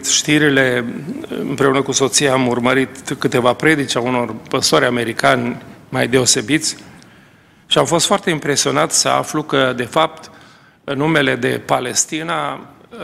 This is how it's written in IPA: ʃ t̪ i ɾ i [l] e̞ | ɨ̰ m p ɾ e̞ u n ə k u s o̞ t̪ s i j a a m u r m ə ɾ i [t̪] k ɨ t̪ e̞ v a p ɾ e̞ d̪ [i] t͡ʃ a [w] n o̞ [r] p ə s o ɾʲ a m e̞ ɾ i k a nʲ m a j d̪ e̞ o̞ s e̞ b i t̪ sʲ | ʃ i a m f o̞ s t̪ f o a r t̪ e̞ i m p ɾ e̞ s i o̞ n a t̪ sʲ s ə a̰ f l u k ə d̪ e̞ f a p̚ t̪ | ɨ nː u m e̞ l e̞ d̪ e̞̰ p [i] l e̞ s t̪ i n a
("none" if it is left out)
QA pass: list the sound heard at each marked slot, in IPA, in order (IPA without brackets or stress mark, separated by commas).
l, t̪, i, u, r, a